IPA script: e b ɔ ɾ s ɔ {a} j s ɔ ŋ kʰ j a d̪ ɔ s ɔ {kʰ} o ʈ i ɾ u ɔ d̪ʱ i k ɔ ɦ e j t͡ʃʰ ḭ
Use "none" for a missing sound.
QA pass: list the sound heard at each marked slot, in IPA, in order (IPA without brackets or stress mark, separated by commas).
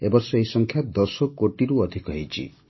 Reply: e, k